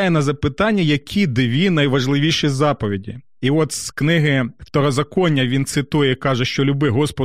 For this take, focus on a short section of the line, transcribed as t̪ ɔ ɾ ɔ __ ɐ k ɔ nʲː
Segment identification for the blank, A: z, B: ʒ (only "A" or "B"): A